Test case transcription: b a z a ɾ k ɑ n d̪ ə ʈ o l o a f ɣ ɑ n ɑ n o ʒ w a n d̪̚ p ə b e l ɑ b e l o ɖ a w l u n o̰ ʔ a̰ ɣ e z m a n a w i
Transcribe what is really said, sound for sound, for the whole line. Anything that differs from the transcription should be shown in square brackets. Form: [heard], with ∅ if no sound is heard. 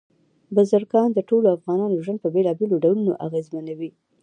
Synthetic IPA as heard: b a z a ɾ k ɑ n d̪ ə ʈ o l o a f ɣ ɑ n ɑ n o ʒ w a n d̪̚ p ə b e l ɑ b e l o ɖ a w l u n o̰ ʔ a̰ ɣ e z m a n a w i